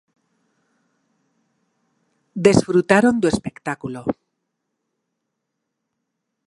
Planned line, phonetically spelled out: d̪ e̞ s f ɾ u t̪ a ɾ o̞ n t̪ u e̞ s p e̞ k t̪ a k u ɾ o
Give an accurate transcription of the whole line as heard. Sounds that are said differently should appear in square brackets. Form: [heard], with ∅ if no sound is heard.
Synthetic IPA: d̪ e̞ s f ɾ u t̪ a ɾ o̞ n [d̪] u e̞ s p e̞ k t̪ a k u [l] o